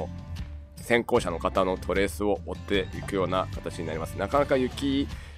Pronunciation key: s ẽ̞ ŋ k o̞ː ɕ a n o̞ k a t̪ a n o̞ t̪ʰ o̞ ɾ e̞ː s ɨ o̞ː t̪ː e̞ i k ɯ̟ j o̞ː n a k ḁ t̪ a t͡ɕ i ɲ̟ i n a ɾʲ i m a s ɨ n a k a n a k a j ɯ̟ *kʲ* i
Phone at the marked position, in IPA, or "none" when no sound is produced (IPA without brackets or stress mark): kʲ